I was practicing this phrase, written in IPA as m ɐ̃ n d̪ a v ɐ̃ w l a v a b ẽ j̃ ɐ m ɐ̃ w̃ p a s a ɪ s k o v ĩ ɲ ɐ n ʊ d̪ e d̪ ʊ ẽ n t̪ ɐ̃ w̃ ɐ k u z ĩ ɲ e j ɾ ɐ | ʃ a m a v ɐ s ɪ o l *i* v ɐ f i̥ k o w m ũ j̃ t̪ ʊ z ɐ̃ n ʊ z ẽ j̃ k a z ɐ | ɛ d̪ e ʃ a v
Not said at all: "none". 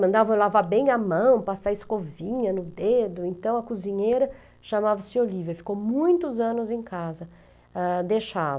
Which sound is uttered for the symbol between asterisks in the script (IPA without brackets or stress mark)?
i